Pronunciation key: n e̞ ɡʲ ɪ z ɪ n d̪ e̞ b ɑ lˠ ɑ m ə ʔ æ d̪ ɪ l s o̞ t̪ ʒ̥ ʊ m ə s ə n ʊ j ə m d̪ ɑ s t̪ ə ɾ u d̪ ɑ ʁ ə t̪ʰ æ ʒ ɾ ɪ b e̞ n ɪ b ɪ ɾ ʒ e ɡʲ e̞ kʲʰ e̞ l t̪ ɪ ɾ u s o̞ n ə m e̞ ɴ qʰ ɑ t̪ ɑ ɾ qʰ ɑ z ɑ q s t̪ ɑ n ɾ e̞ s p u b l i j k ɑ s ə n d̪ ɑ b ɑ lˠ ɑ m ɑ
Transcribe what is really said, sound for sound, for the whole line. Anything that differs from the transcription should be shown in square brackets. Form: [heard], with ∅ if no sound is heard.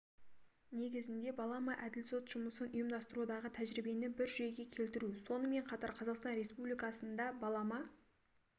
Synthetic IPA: n e̞ ɡʲ ɪ z ɪ n d̪ e̞ b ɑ lˠ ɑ m [ɑ] ʔ æ d̪ ɪ l s o̞ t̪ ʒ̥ ʊ m ə s ə n ʊ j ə m d̪ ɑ s t̪ ə ɾ u d̪ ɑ ʁ ə t̪ʰ æ ʒ ɾ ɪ b e̞ n ɪ b ɪ ɾ ʒ e ɡʲ e̞ kʲʰ e̞ l t̪ ɪ ɾ u s o̞ n ə m e̞ ɴ qʰ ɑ t̪ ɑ ɾ qʰ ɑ z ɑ q s t̪ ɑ n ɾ e̞ s p u b l i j k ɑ s ə n d̪ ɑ b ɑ lˠ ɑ m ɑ